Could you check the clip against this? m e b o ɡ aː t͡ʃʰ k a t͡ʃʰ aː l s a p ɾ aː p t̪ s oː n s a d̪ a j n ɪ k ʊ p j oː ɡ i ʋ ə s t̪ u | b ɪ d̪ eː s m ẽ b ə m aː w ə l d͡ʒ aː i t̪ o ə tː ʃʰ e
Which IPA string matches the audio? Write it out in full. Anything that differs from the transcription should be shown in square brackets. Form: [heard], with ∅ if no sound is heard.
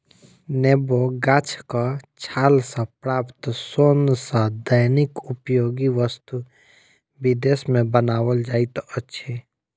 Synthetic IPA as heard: [n] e b o ɡ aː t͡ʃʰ k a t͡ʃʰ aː l s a p ɾ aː p t̪ s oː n s a d̪ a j n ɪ k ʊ p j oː ɡ i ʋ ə s t̪ u | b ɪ d̪ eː s m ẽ b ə [n] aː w ə l d͡ʒ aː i t̪ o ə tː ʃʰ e